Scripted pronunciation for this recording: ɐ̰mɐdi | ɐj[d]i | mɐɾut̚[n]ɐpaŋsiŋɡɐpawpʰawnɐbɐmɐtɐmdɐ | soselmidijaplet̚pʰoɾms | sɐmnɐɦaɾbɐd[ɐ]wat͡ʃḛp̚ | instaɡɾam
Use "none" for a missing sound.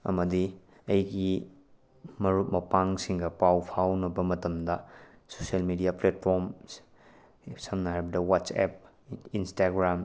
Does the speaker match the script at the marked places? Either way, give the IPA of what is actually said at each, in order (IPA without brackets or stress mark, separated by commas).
ɡ, m, ɐ